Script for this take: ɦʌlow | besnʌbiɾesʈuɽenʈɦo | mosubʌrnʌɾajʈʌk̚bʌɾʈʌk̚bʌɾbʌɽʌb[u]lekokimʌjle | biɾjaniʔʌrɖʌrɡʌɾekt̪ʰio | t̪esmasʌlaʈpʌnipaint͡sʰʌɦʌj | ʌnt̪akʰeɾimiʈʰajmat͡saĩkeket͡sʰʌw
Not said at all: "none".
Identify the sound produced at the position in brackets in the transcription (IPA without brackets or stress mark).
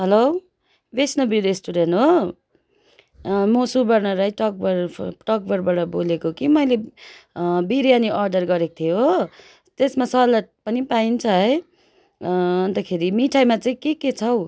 o